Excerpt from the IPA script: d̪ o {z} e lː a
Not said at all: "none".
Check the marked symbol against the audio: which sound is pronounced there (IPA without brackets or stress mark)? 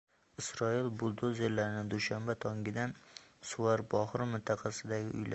z